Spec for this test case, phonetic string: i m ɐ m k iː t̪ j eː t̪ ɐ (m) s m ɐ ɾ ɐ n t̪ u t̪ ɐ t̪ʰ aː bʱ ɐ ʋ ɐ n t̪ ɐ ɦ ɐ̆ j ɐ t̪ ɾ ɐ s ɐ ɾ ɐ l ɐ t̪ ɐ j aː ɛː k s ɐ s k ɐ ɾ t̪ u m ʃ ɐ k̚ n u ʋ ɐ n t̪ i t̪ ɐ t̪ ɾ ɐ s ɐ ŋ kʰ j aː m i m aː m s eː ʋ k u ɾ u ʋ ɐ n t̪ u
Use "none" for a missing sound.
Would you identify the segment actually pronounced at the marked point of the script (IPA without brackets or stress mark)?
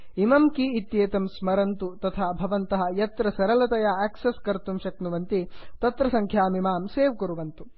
m